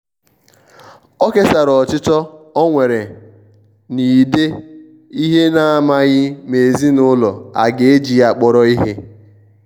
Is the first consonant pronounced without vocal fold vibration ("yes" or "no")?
yes